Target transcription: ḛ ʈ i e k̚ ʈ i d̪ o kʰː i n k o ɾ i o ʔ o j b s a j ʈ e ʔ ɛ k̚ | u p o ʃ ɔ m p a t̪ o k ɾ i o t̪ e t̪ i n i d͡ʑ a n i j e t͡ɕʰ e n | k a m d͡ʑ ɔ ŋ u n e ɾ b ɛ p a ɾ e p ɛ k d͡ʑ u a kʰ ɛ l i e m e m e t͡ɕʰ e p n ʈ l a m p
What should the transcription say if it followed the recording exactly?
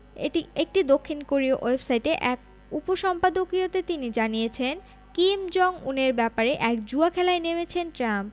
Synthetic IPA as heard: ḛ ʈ i e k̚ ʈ i d̪ o kʰː i n k o ɾ i o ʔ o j b s a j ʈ e ʔ ɛ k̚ | u p o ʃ ɔ m p a d̪ o k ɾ i o t̪ e t̪ i n i d͡ʑ a n i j e t͡ɕʰ e n | k i m d͡ʑ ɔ ŋ u n e ɾ b ɛ p a ɾ e ʔ ɛ k d͡ʑ u a kʰ ɛ l a e n e m e t͡ɕʰ e n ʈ ɾ a m p